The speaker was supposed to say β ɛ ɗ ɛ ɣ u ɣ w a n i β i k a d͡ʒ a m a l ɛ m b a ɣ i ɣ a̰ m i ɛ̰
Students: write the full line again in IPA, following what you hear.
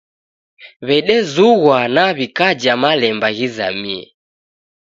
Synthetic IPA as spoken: β ɛ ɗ ɛ z u ɣ w a n a β i k a d͡ʒ a m a l ɛ m b a ɣ i z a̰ m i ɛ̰